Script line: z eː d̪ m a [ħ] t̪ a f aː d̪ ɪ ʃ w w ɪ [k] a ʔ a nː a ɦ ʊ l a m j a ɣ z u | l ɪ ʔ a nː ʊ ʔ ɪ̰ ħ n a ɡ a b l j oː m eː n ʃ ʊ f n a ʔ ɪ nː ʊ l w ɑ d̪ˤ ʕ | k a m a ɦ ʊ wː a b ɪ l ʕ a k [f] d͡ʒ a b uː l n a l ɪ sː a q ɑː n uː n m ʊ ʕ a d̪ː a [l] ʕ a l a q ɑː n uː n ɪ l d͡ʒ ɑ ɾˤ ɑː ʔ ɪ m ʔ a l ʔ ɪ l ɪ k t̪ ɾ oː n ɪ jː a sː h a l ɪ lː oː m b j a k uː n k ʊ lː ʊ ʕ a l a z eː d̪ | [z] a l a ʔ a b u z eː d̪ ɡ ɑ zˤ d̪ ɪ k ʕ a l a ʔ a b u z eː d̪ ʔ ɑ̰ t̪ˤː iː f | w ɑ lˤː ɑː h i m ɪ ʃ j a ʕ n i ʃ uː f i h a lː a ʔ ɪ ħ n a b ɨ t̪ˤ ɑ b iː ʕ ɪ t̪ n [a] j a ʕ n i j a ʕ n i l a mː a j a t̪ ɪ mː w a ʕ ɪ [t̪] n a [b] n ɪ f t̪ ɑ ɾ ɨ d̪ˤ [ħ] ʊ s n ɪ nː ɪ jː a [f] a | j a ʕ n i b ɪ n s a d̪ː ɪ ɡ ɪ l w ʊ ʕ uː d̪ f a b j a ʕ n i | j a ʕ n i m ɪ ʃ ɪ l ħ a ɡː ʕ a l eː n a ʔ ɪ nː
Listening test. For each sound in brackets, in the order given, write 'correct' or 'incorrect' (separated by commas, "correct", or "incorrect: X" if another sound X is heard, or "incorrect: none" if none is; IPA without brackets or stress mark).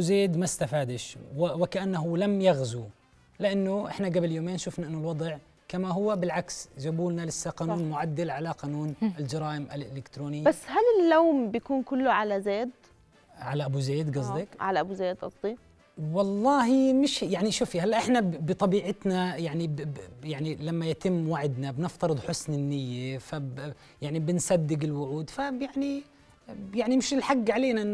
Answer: incorrect: s, correct, incorrect: s, correct, incorrect: ʕ, correct, incorrect: d̪, correct, correct, correct